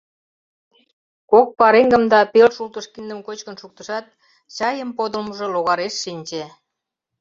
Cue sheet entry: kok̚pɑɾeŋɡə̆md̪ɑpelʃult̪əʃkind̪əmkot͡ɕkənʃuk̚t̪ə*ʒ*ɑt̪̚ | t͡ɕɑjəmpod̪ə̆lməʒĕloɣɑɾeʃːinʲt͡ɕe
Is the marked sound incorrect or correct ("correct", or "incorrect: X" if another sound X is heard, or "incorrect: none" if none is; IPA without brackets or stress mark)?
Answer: incorrect: ʃ